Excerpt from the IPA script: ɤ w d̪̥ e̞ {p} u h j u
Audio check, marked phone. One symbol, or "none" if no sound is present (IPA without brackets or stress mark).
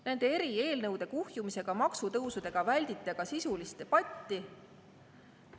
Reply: k